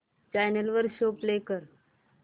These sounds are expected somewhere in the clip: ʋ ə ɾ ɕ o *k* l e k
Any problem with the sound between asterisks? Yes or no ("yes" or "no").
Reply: yes